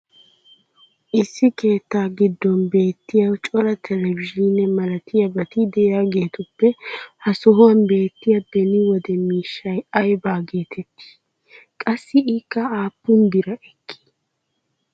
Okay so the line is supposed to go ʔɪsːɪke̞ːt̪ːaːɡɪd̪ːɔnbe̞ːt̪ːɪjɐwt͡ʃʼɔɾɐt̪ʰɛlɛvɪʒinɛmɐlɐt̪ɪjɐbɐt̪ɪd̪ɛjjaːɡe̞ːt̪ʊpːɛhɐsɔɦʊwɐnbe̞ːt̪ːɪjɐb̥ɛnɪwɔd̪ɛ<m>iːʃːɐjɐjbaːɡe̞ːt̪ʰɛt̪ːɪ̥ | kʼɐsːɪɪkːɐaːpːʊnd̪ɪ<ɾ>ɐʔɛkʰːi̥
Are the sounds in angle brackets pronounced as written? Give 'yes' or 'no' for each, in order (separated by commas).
yes, yes